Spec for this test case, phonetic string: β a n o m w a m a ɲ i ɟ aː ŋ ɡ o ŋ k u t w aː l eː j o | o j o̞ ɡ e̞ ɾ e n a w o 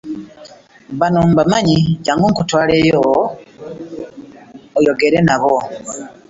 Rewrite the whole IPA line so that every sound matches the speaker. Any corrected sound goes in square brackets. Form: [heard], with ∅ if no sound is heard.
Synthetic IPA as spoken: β a n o m [b] a m a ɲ i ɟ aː ŋ ɡ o ŋ k u t w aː l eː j o | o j o̞ ɡ e̞ ɾ e n a [β] o